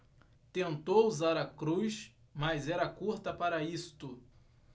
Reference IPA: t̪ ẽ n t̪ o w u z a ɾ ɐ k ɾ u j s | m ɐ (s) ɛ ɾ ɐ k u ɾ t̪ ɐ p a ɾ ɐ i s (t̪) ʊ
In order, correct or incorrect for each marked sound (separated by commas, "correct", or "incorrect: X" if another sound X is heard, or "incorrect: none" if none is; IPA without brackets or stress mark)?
incorrect: z, correct